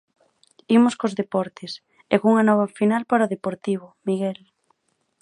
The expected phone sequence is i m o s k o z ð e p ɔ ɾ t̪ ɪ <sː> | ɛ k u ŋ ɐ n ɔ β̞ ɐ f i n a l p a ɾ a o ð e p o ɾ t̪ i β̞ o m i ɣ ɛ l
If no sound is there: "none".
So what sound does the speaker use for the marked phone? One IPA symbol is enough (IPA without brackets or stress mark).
s